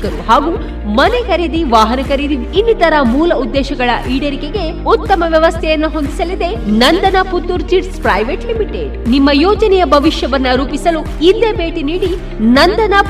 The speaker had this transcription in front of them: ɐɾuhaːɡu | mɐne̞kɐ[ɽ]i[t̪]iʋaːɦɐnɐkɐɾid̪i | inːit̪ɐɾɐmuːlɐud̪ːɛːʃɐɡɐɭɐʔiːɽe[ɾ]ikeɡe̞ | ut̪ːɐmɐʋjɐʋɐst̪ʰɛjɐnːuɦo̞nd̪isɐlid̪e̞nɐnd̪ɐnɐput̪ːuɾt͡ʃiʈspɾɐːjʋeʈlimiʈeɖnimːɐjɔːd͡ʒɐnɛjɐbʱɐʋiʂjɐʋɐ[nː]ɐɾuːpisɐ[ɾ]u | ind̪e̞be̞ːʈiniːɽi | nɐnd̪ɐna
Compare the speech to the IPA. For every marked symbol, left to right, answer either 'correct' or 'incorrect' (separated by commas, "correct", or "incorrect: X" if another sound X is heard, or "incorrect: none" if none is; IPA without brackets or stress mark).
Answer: incorrect: ɾ, incorrect: d̪, correct, correct, incorrect: l